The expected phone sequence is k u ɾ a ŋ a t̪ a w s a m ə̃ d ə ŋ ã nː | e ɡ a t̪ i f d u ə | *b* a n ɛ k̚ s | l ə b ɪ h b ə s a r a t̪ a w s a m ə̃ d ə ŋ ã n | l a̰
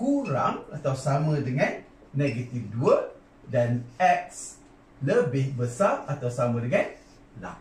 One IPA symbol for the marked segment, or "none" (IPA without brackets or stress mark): d